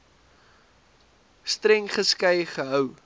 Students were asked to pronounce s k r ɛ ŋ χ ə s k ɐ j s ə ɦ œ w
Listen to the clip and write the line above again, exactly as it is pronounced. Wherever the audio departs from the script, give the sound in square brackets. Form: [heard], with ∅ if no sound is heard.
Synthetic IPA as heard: s [t] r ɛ ŋ χ ə s k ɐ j [χ] ə ɦ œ w